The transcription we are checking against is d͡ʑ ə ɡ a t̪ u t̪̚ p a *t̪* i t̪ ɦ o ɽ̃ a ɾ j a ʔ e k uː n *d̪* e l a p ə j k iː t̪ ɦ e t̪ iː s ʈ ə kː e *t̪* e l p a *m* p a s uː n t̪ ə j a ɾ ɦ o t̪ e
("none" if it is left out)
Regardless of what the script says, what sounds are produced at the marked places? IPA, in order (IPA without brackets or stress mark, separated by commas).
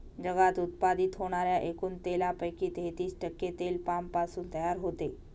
d̪, t̪, t̪, m